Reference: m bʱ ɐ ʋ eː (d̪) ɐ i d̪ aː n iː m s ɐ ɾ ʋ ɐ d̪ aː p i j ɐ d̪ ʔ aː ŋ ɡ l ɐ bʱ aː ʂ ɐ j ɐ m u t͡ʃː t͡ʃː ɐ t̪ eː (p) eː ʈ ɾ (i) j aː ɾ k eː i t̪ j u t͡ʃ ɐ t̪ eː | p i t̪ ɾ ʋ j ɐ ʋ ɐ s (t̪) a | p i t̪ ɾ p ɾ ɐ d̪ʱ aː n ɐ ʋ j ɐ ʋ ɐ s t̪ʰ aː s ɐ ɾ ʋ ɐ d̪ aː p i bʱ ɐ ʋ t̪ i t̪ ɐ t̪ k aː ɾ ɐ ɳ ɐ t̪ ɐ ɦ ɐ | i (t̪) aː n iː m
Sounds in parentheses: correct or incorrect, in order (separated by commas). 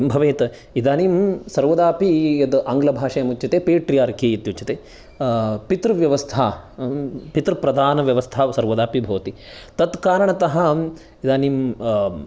incorrect, correct, correct, incorrect, incorrect